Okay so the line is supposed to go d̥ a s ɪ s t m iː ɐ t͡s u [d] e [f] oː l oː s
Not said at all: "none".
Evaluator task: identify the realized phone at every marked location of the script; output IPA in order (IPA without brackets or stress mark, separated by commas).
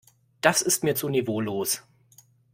n, v